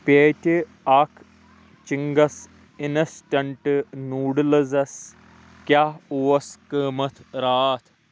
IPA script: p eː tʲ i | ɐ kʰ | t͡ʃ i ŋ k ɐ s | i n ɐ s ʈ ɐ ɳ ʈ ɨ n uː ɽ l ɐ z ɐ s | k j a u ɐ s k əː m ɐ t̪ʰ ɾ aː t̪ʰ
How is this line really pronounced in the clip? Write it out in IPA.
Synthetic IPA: p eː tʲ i | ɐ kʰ | t͡ʃ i ŋ ɡ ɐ s | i n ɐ s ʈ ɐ ɳ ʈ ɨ n uː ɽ l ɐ z ɐ s | k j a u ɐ s k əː m ɐ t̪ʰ ɾ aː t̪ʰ